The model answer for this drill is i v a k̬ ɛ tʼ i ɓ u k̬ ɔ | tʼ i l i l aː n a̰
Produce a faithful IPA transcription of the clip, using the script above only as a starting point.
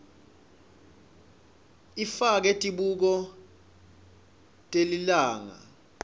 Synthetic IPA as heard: i f a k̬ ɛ tʼ i ɓ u k̬ ɔ | tʼ e l i l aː ŋ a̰